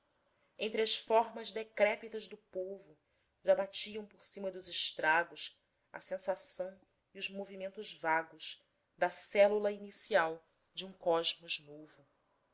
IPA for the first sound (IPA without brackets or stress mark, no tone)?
ẽ